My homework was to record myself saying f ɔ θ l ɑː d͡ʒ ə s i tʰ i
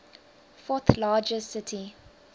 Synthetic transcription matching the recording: f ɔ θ l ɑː d͡ʒ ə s ɪ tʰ i